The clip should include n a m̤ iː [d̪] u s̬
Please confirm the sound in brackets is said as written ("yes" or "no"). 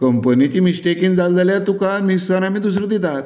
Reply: yes